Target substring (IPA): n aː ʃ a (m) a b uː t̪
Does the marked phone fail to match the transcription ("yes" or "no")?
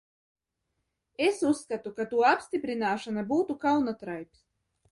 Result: yes